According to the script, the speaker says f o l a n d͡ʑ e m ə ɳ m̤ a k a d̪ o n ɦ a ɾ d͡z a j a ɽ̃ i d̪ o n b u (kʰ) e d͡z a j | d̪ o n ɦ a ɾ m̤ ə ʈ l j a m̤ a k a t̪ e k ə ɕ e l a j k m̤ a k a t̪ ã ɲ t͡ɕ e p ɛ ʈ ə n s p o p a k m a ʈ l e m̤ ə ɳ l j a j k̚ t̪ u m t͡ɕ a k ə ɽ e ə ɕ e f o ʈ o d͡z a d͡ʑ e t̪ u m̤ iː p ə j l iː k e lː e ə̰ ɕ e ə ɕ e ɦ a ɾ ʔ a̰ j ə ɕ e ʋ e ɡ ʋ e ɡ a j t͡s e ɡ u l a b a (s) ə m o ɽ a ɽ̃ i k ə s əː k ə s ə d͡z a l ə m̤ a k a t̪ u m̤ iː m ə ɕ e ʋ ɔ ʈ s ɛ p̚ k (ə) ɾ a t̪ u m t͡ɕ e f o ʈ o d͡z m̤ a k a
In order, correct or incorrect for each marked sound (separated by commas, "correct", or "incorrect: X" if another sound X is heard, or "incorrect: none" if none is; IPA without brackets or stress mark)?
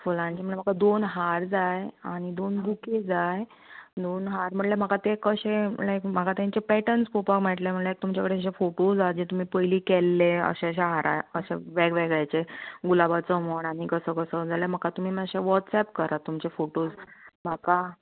incorrect: k, incorrect: t͡s, correct